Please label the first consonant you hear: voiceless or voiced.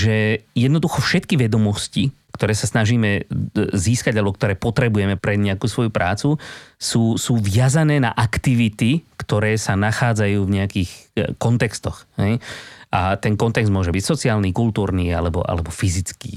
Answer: voiced